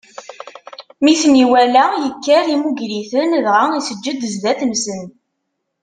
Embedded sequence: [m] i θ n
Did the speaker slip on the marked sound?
no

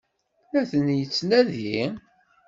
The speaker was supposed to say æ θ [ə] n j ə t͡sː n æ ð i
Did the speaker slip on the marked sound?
no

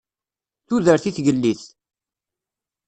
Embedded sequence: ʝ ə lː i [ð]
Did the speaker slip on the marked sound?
yes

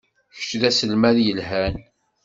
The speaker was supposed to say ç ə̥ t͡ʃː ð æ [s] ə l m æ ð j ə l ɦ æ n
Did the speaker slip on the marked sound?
no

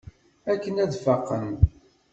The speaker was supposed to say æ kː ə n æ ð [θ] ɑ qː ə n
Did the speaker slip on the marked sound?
yes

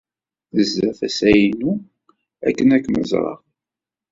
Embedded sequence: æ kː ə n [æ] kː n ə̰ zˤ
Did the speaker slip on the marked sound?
no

